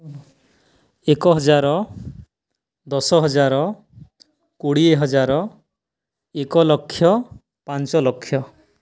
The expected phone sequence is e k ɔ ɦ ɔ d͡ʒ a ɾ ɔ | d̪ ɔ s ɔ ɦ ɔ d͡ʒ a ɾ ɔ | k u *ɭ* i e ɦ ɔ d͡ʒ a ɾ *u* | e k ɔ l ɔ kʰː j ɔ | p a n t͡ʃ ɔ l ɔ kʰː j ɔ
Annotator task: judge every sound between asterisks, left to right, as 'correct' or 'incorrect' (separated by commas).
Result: incorrect, incorrect